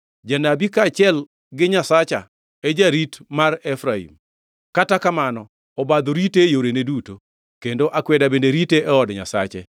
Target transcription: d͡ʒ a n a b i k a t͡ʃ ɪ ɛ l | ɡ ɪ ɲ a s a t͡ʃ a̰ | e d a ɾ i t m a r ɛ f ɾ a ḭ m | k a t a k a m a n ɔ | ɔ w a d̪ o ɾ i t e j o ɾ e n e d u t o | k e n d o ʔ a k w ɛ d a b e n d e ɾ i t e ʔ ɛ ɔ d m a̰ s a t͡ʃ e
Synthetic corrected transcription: d͡ʒ a n a b i k a t͡ʃ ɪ ɛ l | ɡ ɪ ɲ a s a t͡ʃ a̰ | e d͡ʒ a ɾ i t m a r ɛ f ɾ a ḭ m | k a t a k a m a n ɔ | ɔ b a d̪ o ɾ i t e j o ɾ e n e d u t o | k e n d o ʔ a k w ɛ d a b e n d e ɾ i t e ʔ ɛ ɔ d ɲ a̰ s a t͡ʃ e